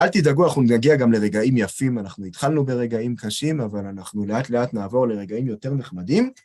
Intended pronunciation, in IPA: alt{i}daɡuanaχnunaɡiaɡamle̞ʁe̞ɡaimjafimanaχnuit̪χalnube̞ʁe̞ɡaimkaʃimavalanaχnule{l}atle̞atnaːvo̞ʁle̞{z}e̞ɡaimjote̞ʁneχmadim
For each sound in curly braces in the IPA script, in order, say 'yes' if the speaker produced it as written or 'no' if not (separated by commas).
yes, no, no